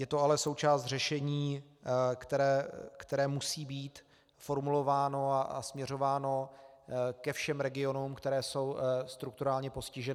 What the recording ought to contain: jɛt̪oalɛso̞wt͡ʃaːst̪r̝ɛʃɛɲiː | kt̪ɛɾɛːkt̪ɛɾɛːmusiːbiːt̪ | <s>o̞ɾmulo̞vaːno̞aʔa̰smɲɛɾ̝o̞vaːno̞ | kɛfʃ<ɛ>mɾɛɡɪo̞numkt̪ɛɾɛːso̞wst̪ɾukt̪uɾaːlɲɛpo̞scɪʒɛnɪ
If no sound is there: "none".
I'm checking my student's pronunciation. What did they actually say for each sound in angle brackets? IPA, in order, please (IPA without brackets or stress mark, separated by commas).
f, ɛ